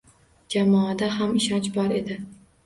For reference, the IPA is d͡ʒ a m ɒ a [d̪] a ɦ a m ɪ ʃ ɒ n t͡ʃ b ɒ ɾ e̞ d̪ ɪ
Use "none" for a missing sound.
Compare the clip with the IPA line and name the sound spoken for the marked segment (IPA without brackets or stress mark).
d̪